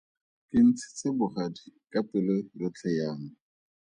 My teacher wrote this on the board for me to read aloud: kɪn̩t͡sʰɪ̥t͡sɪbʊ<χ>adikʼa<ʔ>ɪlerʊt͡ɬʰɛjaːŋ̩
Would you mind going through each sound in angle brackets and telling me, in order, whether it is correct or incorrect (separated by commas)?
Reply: correct, incorrect